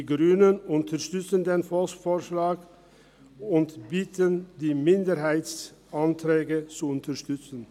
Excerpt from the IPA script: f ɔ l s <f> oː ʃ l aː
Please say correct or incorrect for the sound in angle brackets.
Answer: correct